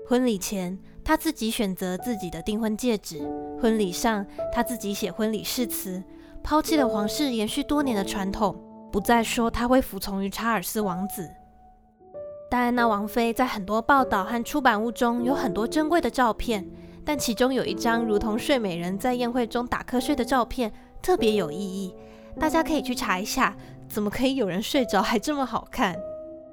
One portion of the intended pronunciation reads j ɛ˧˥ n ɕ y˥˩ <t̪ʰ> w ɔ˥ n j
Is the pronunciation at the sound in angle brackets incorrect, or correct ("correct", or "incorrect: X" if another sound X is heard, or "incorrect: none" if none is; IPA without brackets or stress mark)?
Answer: incorrect: t̪